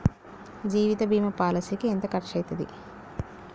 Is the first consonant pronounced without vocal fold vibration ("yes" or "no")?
no